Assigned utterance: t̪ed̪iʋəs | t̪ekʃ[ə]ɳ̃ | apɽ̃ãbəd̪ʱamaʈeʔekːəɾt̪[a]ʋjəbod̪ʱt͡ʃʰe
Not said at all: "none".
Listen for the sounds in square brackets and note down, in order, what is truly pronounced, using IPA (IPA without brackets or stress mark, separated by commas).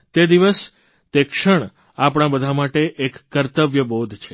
ə, ə